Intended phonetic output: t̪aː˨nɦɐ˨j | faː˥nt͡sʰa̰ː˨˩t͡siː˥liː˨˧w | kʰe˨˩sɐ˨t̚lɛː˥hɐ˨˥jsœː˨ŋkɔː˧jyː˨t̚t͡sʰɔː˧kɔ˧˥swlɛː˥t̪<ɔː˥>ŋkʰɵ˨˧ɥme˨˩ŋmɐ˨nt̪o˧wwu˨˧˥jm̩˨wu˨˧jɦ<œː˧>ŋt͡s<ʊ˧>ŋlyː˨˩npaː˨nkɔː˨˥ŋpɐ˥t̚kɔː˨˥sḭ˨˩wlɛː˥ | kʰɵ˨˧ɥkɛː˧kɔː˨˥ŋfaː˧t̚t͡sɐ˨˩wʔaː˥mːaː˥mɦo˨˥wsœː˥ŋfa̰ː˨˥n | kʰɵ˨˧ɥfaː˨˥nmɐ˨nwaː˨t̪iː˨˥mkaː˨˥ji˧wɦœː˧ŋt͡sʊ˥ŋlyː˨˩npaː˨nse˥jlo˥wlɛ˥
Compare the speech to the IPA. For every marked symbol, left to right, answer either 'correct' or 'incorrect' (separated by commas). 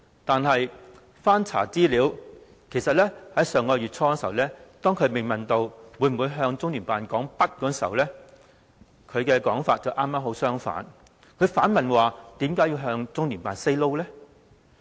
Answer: correct, correct, incorrect